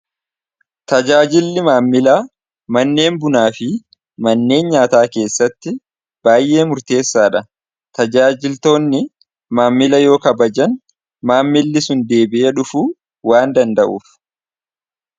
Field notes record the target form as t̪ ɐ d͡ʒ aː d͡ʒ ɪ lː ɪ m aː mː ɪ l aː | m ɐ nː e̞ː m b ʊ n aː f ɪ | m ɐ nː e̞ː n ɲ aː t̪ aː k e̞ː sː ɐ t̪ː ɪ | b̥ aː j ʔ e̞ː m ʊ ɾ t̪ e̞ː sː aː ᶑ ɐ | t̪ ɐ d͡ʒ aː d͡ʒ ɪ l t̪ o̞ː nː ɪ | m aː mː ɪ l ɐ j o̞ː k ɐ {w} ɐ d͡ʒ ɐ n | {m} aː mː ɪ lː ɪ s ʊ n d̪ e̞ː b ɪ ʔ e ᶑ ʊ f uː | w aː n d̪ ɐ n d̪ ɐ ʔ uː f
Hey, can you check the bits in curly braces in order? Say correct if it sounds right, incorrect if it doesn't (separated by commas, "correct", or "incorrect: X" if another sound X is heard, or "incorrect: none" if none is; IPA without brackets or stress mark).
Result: incorrect: b, correct